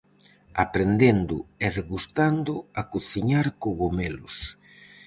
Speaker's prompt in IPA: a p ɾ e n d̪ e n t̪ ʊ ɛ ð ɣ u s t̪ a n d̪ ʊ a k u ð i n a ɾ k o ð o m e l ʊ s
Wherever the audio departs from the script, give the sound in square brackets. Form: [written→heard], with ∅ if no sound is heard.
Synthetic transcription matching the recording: a p ɾ e n d̪ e n [t̪→d̪] ʊ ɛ ð ɣ u s t̪ a n d̪ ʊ a k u [ð→θ] i [n→ɲ] a ɾ k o [ð→ɣ] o m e l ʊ s